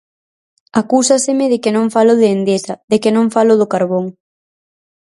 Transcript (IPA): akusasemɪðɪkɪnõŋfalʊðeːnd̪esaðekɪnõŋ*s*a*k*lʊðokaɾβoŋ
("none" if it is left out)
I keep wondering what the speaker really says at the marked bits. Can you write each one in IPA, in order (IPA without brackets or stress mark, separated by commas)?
f, none